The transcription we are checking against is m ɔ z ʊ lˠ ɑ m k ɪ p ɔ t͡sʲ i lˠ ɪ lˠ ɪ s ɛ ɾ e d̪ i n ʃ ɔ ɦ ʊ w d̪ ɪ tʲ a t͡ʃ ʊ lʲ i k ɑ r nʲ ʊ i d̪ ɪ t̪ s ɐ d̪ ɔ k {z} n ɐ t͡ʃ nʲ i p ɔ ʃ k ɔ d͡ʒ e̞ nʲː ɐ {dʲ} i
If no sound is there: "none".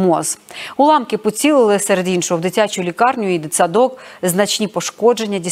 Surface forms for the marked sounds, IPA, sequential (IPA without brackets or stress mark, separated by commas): z, dʲ